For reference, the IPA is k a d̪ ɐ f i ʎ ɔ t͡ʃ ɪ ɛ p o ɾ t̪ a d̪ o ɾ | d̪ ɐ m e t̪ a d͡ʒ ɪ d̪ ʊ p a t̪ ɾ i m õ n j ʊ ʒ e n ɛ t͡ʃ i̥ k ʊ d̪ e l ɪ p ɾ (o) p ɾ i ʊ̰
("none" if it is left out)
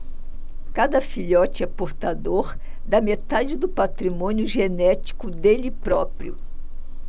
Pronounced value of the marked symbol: ɔ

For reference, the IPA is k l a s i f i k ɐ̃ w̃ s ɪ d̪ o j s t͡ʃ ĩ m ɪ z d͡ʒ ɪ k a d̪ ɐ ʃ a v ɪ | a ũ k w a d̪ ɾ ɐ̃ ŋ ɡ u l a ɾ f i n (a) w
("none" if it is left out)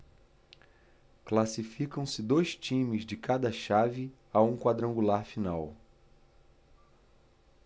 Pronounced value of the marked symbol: a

